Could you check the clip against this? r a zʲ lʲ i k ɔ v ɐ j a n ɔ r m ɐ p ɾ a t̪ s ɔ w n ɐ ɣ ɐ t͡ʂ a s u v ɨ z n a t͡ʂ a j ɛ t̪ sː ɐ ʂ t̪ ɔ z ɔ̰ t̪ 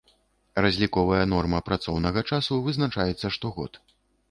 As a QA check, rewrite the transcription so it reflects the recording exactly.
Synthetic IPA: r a zʲ lʲ i k ɔ v ɐ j ɐ n ɔ r m ɐ p ɾ a t̪ s ɔ w n ɐ ɣ ɐ t͡ʂ a s u v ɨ z n a t͡ʂ a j ɛ t̪ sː ɐ ʂ t̪ ɔ ɣ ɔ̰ t̪